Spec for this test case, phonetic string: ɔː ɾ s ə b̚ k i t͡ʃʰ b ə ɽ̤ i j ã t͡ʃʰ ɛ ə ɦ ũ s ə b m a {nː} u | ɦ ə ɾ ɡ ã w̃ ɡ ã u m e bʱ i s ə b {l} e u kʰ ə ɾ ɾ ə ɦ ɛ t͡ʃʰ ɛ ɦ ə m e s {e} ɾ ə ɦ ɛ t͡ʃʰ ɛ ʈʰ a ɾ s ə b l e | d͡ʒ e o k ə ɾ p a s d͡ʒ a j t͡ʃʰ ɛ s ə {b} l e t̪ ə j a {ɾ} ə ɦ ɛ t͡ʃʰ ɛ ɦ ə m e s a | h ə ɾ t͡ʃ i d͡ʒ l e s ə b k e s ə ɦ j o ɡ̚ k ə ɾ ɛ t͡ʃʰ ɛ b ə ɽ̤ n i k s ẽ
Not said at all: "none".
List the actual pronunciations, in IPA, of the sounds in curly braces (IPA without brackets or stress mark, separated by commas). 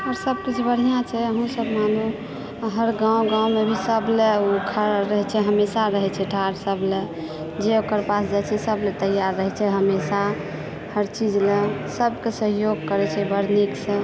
n, l, a, b, ɾː